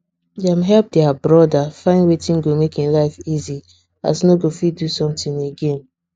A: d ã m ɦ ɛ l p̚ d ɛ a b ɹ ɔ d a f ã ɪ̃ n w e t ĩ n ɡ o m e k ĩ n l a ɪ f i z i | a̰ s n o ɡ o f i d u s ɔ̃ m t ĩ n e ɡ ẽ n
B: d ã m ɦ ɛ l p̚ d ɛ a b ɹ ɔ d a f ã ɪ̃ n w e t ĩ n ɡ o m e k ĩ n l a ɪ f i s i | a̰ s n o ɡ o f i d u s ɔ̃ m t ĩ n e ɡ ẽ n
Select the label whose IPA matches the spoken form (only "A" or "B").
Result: A